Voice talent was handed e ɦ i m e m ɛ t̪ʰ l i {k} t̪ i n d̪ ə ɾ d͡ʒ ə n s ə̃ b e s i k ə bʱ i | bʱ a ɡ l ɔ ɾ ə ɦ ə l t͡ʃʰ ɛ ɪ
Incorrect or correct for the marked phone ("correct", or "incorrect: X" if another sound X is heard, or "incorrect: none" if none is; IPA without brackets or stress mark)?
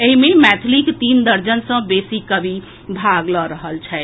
correct